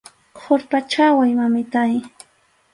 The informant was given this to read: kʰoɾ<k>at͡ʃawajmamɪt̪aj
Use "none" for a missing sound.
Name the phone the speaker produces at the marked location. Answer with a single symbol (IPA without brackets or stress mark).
p